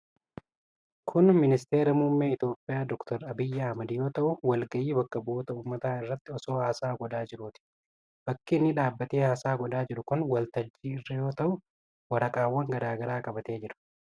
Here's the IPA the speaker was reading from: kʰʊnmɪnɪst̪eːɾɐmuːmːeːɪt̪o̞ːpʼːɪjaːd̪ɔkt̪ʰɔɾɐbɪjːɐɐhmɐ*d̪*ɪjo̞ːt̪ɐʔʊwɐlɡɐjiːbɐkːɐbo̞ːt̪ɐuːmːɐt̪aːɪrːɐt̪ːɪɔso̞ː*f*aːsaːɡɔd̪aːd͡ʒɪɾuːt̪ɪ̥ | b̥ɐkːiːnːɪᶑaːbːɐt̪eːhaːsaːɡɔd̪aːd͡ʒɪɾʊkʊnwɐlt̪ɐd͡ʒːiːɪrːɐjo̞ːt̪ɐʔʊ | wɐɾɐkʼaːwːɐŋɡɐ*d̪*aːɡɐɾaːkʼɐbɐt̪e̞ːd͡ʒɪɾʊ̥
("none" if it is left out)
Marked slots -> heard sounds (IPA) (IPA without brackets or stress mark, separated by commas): d̪, h, d̪